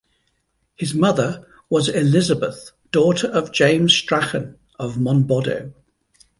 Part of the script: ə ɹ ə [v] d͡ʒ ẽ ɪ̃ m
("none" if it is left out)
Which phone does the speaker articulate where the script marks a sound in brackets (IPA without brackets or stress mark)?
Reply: v